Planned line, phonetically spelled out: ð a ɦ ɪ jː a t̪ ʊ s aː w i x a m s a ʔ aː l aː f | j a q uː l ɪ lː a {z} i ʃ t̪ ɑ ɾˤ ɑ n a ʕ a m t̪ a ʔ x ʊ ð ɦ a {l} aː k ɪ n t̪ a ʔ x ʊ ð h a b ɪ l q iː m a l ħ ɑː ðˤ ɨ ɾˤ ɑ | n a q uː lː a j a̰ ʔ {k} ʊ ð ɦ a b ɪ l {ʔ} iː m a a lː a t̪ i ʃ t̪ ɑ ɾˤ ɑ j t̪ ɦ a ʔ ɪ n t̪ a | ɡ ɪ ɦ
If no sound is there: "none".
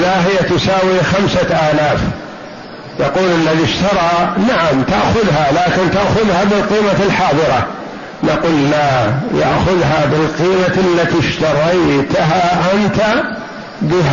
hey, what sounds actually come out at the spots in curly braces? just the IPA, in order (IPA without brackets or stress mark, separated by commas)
ð, l, x, q